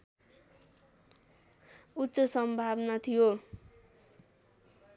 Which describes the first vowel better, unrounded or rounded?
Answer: rounded